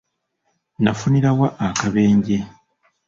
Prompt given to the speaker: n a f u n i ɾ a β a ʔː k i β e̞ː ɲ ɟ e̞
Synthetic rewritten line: n a f u n i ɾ a w a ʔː k a β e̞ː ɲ ɟ e̞